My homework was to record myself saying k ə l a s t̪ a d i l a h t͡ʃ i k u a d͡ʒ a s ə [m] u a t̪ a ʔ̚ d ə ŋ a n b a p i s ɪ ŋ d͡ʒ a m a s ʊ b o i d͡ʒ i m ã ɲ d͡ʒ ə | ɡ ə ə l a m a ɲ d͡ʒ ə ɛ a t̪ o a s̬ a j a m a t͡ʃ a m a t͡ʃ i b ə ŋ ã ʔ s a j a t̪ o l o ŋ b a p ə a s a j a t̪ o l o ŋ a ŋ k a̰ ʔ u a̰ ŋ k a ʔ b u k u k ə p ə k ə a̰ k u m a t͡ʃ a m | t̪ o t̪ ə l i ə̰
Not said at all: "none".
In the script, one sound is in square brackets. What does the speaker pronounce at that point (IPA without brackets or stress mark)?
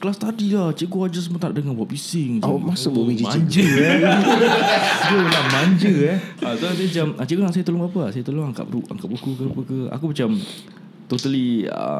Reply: m